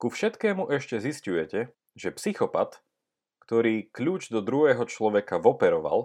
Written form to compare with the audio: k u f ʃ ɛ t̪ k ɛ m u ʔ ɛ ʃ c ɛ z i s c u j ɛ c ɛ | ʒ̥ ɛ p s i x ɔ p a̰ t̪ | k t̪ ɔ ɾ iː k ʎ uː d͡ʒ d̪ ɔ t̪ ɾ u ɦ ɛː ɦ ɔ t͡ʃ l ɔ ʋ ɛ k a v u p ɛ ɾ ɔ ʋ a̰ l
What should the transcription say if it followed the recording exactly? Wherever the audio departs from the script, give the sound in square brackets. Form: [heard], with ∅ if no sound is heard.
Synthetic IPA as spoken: k u f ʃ ɛ t̪ k [ɛː] m u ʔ ɛ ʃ c ɛ z i s c u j ɛ c ɛ | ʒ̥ ɛ p s i x ɔ p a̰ t̪ | k t̪ ɔ ɾ iː k ʎ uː d͡ʒ d̪ ɔ [d̪] ɾ u ɦ ɛː ɦ ɔ t͡ʃ l ɔ ʋ ɛ k a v [ɔ] p ɛ ɾ ɔ ʋ a̰ l